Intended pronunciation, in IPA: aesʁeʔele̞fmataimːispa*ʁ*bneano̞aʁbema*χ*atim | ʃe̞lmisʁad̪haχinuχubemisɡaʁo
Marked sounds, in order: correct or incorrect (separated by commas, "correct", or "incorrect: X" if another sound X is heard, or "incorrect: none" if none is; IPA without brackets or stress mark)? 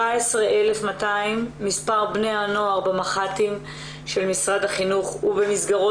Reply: correct, correct